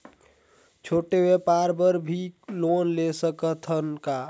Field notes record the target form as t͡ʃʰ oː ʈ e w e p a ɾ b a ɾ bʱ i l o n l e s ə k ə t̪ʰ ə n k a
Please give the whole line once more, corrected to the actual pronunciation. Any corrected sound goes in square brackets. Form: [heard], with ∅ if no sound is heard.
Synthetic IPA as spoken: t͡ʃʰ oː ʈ e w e p a ɾ b [ə] ɾ bʱ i l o n l e s ə k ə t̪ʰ ə n k a